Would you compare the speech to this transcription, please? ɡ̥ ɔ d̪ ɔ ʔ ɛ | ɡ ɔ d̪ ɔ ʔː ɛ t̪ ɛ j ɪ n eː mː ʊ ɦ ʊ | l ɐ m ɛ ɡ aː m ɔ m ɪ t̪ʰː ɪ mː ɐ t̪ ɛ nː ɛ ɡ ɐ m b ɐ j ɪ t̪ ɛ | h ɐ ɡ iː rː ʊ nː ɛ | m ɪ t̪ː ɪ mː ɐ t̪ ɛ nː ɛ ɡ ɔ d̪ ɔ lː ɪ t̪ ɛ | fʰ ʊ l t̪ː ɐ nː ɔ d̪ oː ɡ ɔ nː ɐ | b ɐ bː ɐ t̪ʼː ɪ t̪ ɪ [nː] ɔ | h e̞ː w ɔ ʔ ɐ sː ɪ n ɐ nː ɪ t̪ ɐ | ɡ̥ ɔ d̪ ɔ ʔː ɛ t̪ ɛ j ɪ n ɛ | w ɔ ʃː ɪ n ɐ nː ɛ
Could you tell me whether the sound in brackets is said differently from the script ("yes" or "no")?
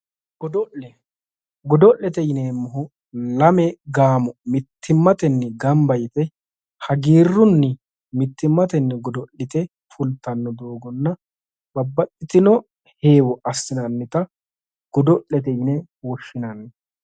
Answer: yes